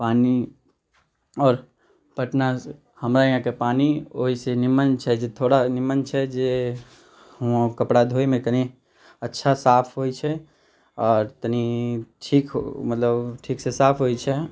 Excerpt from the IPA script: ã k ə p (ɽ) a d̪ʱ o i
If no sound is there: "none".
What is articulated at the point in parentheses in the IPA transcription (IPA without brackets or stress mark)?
ɽ